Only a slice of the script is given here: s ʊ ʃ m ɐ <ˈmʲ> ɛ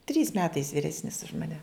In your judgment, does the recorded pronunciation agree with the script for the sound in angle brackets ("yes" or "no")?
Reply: no